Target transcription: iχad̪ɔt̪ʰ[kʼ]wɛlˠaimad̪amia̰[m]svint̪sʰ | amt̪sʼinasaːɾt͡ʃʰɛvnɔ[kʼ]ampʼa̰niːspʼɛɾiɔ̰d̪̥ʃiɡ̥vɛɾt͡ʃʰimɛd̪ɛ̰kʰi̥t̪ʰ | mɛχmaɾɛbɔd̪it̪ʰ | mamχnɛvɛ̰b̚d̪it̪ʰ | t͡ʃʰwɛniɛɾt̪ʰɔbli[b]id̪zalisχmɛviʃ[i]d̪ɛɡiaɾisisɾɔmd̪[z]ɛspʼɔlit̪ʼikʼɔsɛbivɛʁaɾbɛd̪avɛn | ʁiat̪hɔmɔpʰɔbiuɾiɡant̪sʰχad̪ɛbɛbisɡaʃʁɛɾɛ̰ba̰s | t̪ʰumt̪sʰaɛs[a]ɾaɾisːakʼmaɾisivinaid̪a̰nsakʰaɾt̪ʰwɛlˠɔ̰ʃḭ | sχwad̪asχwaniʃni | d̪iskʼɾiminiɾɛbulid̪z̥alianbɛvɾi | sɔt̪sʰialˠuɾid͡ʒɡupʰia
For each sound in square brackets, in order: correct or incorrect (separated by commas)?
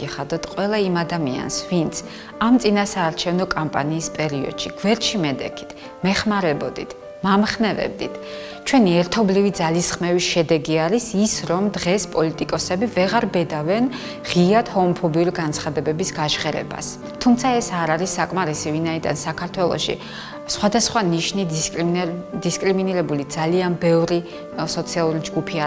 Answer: incorrect, incorrect, correct, incorrect, incorrect, incorrect, correct